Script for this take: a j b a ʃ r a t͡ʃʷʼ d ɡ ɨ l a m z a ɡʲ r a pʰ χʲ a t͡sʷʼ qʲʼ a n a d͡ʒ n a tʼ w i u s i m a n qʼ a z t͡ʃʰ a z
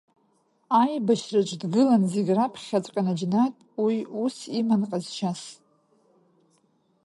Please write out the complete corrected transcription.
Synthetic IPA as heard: a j b a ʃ r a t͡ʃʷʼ d ɡ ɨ l a n z e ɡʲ r a pʰ χʲ a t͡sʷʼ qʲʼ a n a d͡ʒ n a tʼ w i u s i m a n qʼ a z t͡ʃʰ a s